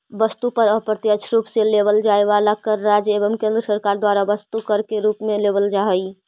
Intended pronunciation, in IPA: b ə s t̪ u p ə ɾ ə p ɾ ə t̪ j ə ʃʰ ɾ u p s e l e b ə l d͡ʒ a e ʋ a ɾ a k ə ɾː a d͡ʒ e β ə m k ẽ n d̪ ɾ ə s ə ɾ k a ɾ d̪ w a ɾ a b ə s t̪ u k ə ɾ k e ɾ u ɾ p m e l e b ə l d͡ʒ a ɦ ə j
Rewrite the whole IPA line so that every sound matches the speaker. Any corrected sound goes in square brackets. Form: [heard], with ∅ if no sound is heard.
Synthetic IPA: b ə s t̪ u p ə ɾ ə p ɾ ə t̪ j ə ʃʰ ɾ u p s e l e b ə l d͡ʒ a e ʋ a [l] a k ə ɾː a d͡ʒ e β ə m k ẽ n d̪ ɾ ə s ə ɾ k a ɾ d̪ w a ɾ a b ə s t̪ u k ə ɾ k e ɾ u [∅] p m e l e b ə l d͡ʒ a ɦ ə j